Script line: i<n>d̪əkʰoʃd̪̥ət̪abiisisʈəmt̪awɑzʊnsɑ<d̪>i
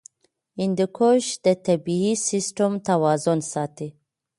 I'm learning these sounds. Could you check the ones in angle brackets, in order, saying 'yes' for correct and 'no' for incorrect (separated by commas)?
yes, no